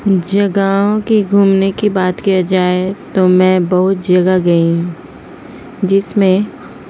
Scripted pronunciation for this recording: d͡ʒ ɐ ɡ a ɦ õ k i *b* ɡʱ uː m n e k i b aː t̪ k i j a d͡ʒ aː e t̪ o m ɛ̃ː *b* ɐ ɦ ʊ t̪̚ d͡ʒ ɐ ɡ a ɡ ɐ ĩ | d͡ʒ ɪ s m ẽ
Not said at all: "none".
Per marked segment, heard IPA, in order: none, b

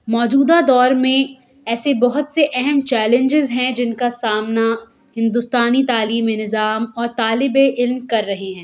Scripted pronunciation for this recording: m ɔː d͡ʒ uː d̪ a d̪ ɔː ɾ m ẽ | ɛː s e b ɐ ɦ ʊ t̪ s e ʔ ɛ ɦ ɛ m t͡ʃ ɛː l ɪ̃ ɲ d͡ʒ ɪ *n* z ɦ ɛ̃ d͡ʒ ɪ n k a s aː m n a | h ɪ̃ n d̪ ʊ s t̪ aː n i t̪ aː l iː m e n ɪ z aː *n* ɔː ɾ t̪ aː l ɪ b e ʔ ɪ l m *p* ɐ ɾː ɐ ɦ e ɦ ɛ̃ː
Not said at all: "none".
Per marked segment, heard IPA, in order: none, m, k

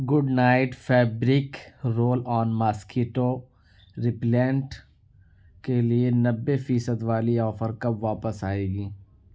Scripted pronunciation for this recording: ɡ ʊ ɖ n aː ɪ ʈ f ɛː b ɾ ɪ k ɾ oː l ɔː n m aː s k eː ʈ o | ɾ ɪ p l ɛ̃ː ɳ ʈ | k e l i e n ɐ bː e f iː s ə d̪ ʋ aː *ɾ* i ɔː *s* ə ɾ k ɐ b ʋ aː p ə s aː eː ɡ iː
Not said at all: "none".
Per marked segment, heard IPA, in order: l, f

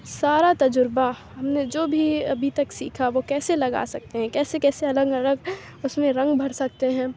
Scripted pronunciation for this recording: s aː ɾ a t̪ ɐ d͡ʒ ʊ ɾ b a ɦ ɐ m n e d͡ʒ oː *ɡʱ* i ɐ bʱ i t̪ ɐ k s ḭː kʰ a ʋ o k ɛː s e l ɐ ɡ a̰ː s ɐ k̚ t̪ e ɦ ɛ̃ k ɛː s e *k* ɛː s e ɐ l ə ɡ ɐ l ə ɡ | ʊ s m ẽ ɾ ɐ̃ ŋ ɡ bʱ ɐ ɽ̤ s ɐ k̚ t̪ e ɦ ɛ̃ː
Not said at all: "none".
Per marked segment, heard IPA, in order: bʱ, k

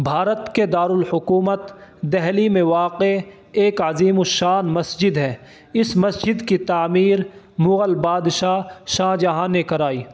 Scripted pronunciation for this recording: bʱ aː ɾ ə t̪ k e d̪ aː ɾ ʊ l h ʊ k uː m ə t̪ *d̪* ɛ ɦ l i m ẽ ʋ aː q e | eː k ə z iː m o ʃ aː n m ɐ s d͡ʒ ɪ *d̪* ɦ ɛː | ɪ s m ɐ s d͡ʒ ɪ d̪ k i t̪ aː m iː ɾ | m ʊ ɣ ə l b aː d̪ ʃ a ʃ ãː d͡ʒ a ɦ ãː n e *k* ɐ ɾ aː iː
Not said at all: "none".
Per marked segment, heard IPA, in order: d̪, d̪, k

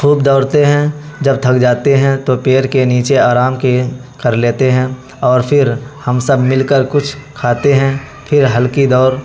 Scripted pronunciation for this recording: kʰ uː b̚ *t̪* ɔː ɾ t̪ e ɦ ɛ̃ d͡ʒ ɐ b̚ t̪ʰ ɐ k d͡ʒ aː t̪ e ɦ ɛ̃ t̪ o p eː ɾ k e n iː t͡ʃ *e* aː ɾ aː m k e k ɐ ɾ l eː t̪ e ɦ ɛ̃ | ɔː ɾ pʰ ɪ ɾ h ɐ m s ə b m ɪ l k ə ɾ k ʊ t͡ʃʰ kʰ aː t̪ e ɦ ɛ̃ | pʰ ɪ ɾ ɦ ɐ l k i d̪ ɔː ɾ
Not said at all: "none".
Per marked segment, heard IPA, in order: d̪, e

